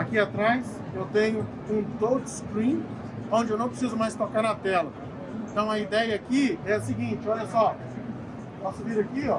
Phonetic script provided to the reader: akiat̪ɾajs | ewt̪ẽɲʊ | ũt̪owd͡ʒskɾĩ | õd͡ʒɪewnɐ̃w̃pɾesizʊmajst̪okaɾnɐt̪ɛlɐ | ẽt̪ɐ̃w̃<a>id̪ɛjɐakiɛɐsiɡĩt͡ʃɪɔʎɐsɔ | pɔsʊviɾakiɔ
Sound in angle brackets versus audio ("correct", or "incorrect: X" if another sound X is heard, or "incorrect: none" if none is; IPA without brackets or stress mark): incorrect: ɐ